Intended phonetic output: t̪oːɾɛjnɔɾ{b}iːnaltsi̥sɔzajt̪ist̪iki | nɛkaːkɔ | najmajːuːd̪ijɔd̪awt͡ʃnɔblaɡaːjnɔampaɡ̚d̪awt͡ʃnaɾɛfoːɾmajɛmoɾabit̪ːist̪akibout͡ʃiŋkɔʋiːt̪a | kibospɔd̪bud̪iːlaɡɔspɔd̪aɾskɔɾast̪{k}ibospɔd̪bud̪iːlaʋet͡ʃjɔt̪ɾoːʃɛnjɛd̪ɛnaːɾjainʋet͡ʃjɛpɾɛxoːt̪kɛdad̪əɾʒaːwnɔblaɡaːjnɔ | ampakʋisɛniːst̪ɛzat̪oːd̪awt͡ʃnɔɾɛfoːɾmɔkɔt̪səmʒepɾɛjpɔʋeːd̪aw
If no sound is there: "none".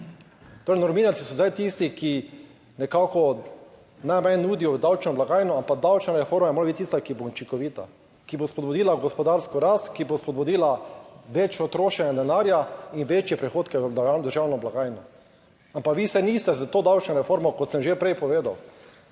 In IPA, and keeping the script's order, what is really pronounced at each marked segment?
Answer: m, k

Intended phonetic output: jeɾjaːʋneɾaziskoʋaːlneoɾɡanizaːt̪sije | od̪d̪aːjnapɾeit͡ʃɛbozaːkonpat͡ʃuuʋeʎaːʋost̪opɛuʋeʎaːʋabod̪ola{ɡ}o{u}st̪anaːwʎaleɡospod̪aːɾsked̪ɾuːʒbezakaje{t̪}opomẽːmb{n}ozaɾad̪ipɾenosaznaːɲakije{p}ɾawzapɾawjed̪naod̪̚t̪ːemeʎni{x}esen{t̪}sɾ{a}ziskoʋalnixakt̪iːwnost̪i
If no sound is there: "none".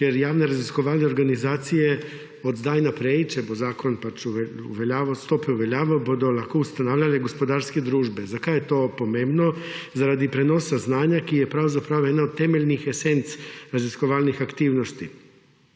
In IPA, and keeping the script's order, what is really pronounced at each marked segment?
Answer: k, u, t̪, n, p, x, t̪, a

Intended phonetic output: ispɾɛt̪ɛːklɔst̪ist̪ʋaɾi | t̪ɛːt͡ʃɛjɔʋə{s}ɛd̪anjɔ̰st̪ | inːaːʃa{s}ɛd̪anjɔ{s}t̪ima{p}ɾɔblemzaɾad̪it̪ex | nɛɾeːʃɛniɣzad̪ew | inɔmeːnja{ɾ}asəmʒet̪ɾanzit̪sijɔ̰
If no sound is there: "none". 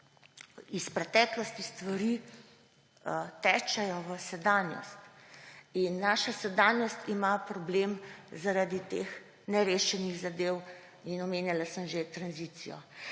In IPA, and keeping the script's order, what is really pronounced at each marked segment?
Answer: s, s, s, p, l

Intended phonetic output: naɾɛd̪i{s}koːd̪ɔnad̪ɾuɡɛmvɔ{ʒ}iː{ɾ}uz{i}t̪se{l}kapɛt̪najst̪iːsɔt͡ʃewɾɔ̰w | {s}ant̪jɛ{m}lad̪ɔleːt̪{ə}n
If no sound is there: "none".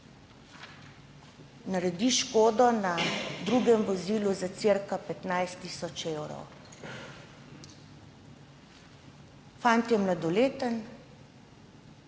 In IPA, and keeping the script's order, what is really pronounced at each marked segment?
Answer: ʃ, z, l, a, ɾ, f, m, ə

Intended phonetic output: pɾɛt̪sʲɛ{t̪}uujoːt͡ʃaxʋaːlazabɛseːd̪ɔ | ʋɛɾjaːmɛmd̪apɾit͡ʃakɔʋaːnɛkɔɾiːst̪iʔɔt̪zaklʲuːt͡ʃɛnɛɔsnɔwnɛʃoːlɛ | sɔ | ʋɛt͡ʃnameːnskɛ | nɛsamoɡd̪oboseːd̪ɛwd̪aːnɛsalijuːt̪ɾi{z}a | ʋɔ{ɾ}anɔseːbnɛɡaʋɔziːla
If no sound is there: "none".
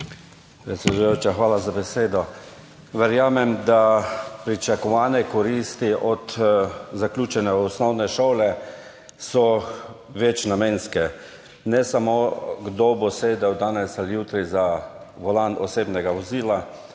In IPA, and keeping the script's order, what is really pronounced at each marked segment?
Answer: d̪, z, l

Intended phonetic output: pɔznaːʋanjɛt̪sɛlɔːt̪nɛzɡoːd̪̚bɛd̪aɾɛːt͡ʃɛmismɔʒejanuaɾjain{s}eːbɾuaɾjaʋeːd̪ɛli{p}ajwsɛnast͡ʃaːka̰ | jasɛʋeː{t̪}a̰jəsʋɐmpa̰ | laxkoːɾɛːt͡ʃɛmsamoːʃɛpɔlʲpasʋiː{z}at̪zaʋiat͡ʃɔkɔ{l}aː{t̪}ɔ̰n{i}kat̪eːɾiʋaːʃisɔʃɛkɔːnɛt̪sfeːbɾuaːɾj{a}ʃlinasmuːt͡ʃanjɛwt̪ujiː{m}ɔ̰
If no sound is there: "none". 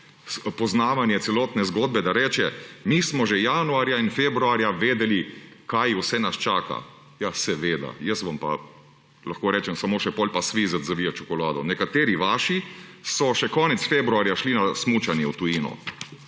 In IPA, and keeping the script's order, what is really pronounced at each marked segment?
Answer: f, k, d̪, z, l, d̪, ɛ, a, n

